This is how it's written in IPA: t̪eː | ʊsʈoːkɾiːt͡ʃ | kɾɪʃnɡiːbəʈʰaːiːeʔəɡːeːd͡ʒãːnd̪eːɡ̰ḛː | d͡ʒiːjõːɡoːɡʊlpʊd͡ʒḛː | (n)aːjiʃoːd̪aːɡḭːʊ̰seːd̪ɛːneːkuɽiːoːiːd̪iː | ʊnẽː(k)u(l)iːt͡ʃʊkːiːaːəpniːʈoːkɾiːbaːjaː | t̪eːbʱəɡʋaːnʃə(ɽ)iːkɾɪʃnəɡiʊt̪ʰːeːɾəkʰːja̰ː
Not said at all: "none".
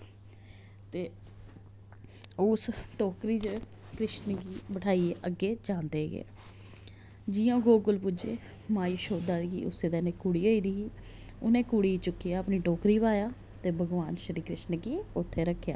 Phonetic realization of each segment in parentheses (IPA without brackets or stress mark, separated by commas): m, k, ɽ, ɾ